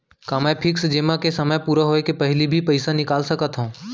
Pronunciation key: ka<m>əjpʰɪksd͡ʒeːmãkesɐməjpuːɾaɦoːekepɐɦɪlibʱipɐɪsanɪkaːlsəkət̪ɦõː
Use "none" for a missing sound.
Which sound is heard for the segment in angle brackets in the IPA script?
m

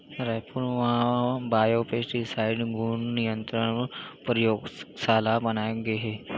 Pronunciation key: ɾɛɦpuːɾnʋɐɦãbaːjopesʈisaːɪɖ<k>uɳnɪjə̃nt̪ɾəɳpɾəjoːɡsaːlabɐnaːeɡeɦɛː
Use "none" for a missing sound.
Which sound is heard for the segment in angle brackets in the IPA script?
ɡ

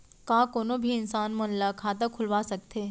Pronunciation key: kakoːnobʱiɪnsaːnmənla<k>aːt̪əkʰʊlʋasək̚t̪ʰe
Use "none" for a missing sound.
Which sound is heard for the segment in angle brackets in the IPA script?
kʰ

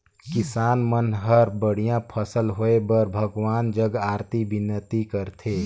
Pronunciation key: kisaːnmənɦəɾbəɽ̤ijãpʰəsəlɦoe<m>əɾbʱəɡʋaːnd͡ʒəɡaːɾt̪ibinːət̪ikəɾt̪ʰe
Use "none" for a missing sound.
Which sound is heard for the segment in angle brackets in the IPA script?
b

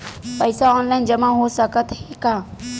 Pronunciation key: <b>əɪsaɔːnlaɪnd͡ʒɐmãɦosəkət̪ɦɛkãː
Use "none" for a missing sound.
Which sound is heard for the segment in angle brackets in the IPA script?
p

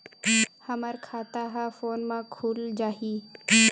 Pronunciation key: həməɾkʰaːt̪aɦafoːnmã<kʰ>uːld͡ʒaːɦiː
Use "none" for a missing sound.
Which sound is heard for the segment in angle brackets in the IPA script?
kʰ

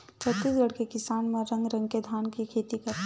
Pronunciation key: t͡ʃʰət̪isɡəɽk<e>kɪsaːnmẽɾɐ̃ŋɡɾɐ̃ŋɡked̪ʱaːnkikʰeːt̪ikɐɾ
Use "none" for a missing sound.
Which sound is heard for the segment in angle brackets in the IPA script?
e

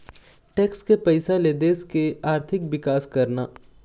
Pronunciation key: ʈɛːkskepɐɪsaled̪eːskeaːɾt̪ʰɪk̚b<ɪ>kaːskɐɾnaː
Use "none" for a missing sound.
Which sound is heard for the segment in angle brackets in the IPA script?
ɪ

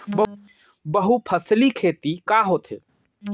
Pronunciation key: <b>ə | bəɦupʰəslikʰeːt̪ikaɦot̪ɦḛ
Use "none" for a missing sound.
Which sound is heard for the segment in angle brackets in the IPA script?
b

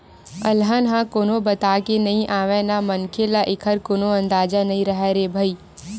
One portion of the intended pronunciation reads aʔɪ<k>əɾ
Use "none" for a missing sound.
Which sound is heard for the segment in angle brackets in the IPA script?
kʰ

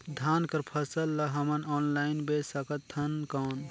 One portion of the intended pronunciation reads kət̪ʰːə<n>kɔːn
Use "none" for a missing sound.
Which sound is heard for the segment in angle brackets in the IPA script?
n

